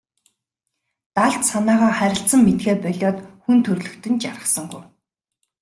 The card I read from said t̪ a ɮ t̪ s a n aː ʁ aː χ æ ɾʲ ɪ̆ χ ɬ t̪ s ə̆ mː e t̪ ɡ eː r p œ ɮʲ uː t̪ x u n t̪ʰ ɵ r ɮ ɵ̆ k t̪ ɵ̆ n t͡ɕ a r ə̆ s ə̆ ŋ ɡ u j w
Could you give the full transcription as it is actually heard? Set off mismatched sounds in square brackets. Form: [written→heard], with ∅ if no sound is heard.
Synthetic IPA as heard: t̪ a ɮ t̪ s a n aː ʁ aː χ æ ɾʲ ɪ̆ [χ→∅] ɬ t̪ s ə̆ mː e t̪ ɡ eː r p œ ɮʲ [uː→ɔː] t̪ x u n t̪ʰ ɵ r ɮ ɵ̆ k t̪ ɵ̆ n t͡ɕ a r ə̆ s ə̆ ŋ ɡ u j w